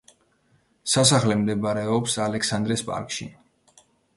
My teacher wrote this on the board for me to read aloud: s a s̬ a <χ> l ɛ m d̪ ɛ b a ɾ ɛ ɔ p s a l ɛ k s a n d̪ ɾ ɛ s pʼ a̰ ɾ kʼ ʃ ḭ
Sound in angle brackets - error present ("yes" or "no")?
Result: no